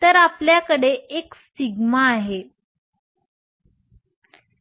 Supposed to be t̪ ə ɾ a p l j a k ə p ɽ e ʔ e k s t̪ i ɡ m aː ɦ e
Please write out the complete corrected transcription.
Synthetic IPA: t̪ ə ɾ a p l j a k ə ɽ e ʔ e k s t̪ i ɡ m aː ɦ e

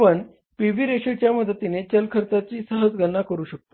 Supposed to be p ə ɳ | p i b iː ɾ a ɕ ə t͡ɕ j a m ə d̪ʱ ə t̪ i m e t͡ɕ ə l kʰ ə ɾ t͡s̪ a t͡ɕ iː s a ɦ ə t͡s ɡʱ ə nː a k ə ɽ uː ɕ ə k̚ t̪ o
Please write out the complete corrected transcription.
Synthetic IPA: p ə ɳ | p i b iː ɾ e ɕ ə t͡ɕ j a m ə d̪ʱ ə t̪ i n e t͡ɕ ə l kʰ ə ɾ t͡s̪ a t͡ɕ iː s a ɦ ə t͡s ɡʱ ə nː a k ə ɾ uː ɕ ə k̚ t̪ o

